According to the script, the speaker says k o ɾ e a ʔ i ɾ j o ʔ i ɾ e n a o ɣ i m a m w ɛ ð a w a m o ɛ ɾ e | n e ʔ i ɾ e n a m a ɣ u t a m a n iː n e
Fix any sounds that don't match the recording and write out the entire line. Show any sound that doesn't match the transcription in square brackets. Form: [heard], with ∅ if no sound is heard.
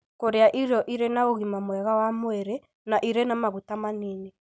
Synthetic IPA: k o ɾ e a ʔ i ɾ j [ɔ] ʔ i ɾ e n a o ɣ i m a m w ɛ [ɣ] a w a m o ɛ ɾ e | n [a] ʔ i ɾ e n a m a ɣ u t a m a n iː n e